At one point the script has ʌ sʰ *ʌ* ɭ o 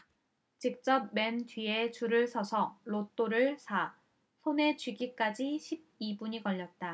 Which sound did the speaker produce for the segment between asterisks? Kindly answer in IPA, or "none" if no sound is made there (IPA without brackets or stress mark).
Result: ʌ